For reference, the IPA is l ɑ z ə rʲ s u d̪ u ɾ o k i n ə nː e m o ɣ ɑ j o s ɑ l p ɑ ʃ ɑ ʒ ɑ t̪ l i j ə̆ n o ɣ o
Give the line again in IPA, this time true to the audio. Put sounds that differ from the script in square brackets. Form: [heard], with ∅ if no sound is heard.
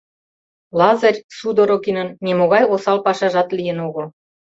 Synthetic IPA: l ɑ z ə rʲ s u d̪ [o] ɾ o k i n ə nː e m o ɣ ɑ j o s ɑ l p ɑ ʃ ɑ ʒ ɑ t̪ l i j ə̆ n o ɣ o